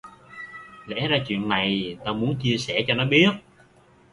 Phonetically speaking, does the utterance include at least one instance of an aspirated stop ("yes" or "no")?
no